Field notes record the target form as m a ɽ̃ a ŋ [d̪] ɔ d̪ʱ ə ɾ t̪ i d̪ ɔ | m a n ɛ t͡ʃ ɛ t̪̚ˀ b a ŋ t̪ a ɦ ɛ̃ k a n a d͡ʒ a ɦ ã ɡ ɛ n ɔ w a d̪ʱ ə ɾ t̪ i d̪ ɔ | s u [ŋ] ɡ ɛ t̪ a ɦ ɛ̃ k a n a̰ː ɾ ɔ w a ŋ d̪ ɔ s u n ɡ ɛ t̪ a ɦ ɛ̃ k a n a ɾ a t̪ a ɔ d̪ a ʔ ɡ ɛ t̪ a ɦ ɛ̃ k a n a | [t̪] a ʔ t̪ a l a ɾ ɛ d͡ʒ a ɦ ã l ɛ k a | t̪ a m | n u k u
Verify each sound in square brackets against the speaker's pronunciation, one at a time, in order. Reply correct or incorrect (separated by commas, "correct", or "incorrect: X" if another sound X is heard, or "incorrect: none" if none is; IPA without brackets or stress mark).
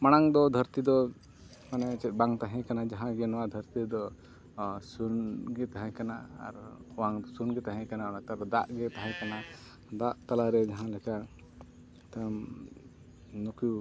correct, incorrect: n, incorrect: d̪